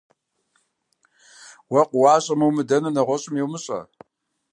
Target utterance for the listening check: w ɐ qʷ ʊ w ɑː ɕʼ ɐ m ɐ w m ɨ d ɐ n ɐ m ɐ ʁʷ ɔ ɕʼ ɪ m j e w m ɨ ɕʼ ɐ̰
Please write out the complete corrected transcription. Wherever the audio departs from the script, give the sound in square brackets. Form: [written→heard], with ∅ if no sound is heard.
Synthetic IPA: w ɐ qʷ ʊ w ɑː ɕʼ ɐ m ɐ w m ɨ d ɐ n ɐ [m→n] ɐ ʁʷ ɔ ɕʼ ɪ m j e w m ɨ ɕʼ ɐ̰